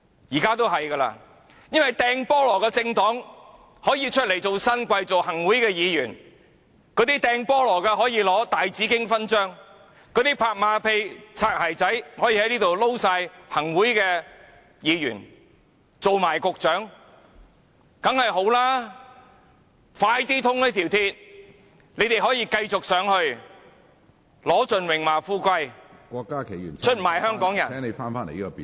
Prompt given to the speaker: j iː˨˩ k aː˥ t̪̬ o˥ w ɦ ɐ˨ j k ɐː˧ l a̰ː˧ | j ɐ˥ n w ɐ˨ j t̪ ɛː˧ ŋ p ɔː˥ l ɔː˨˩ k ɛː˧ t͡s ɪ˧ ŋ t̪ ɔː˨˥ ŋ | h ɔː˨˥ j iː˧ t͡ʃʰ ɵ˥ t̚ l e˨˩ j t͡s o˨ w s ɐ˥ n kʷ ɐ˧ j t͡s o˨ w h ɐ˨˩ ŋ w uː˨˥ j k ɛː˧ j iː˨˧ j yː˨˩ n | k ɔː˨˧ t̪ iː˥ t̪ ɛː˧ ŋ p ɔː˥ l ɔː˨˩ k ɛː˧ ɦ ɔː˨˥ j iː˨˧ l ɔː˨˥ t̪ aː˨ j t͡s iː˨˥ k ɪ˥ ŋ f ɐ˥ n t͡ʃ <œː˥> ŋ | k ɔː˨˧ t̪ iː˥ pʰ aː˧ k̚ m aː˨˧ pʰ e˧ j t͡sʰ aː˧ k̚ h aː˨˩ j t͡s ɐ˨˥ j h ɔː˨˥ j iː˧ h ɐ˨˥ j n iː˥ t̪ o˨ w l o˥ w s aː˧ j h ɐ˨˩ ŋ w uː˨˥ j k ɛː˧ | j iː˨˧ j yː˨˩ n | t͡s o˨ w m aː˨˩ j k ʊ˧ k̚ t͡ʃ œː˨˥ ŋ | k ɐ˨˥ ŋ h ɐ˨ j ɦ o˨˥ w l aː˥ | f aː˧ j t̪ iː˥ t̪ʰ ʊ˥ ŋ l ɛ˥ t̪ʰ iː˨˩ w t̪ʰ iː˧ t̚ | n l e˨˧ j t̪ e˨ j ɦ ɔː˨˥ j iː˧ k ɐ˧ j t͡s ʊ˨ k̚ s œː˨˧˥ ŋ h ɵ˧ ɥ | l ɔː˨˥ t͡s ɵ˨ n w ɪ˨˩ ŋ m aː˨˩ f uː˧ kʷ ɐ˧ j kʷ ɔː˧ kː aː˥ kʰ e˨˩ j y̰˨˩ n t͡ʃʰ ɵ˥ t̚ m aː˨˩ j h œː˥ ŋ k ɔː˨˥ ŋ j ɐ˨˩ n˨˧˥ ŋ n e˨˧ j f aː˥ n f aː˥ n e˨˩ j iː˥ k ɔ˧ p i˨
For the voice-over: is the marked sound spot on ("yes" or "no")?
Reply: yes